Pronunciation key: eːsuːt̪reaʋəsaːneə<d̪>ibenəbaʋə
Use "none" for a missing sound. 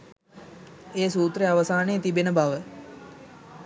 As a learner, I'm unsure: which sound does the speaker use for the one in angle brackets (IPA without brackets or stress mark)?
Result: t̪